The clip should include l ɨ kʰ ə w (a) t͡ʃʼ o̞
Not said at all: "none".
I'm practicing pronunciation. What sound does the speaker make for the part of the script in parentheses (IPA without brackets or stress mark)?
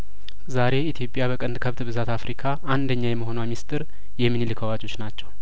a